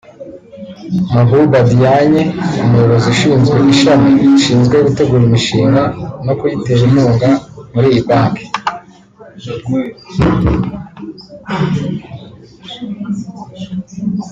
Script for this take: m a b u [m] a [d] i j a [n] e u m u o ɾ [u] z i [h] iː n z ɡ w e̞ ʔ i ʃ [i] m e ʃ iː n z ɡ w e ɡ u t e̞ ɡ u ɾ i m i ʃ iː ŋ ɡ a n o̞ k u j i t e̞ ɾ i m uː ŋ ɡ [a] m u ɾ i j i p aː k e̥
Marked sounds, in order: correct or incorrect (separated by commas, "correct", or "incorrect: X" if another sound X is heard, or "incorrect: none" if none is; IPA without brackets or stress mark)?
incorrect: b, correct, incorrect: ɲ, incorrect: o, incorrect: ʃ, incorrect: a, correct